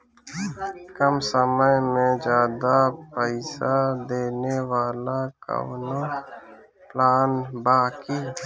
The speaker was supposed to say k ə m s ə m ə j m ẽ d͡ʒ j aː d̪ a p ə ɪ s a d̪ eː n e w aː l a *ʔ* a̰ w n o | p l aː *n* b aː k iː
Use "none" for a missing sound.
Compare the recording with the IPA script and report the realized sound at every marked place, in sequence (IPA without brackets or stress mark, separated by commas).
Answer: k, n